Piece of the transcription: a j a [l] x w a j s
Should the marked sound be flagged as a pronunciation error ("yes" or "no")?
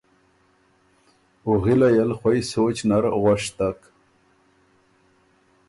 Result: no